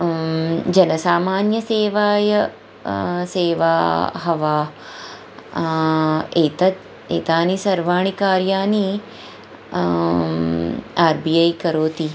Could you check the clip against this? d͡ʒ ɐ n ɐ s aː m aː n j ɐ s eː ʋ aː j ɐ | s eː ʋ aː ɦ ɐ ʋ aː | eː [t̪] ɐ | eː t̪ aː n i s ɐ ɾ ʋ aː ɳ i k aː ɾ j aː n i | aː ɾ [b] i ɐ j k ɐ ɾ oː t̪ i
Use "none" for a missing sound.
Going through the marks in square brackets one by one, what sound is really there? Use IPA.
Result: t̪, b

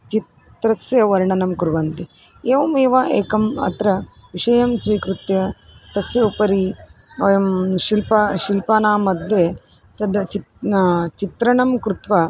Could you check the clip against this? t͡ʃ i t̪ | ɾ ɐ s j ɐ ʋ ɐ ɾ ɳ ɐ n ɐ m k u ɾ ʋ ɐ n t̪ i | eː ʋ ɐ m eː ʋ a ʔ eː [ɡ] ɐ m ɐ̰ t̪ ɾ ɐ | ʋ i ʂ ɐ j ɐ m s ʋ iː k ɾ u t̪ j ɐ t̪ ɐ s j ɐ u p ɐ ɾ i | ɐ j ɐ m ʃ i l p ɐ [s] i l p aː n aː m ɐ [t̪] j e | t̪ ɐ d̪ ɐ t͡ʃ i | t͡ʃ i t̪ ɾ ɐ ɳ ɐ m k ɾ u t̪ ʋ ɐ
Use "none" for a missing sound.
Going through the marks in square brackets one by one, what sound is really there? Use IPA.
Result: k, ʃ, d̪

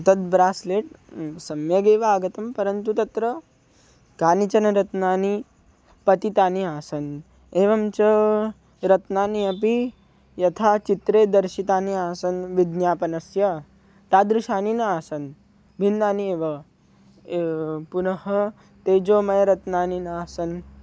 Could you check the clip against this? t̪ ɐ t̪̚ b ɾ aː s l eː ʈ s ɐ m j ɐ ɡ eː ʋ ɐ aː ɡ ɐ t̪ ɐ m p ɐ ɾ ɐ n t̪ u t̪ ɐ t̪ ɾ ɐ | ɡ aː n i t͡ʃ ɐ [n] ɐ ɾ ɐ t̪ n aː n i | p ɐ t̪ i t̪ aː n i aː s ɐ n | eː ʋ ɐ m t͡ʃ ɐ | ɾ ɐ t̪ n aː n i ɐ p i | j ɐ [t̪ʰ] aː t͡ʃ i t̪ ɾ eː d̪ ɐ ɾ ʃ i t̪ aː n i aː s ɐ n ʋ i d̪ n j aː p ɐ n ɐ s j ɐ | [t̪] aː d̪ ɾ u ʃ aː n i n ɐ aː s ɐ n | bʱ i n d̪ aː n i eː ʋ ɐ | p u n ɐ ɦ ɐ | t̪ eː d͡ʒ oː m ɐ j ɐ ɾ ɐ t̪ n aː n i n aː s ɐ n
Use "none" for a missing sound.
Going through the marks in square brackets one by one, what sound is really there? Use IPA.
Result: n, t̪ʰ, t̪

